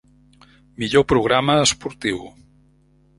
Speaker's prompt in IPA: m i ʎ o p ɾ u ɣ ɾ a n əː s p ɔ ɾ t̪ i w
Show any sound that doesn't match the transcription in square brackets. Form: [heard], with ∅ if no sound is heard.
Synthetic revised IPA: m i ʎ o p ɾ u ɣ ɾ a [m] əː s p [u] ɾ t̪ i w